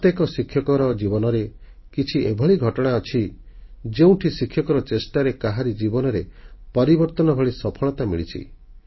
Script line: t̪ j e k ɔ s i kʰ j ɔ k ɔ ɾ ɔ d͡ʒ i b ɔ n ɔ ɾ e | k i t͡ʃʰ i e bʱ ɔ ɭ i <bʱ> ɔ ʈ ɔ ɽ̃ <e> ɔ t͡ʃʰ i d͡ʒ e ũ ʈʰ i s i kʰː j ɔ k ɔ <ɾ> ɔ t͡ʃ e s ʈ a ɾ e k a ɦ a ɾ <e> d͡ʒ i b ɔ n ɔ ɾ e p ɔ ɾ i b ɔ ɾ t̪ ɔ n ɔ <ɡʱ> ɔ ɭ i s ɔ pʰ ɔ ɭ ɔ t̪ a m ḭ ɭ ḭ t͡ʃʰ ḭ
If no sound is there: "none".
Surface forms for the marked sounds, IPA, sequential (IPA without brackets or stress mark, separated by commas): ɡʱ, a, ɾ, i, bʱ